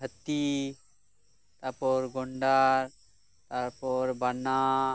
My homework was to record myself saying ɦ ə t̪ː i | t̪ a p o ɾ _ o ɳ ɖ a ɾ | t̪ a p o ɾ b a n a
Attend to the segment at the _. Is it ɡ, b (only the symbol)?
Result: ɡ